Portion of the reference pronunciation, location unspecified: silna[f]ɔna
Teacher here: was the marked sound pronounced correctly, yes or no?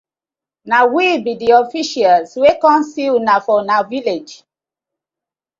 yes